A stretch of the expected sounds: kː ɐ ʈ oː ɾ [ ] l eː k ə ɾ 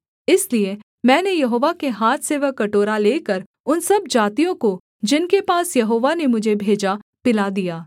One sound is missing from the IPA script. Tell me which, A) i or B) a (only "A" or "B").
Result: B